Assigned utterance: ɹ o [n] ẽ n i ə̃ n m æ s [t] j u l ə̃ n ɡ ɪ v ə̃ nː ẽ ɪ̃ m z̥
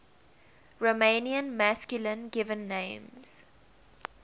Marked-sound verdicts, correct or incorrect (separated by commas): incorrect, incorrect